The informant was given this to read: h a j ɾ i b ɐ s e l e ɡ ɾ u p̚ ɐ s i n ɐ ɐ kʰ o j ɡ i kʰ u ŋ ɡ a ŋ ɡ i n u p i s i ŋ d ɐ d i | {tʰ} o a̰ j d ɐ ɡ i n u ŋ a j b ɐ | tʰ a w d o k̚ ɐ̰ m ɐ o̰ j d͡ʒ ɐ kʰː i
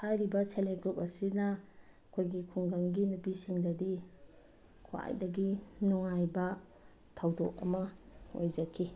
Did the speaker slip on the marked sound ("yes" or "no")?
yes